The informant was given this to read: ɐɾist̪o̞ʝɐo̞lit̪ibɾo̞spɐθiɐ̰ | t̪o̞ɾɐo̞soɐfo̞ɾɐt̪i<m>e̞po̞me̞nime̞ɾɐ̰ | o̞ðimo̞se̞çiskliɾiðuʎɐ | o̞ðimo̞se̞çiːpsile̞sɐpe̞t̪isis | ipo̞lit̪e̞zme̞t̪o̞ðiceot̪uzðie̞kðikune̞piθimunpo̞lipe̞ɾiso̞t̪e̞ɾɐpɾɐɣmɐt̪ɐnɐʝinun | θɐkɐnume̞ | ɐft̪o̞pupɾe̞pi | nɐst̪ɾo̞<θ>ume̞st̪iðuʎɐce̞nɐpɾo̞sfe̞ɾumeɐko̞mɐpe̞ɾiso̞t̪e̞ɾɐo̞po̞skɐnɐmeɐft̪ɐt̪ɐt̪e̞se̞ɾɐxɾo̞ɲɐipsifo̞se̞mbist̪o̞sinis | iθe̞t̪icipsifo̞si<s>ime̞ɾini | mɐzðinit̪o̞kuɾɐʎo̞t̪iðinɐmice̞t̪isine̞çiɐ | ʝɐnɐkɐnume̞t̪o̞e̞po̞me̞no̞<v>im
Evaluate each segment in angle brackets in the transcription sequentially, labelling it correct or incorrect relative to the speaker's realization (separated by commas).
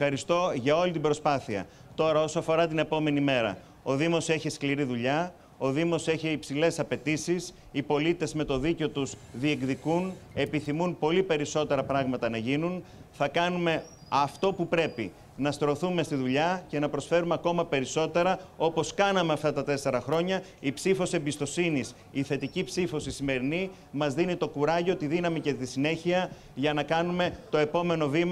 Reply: incorrect, correct, correct, correct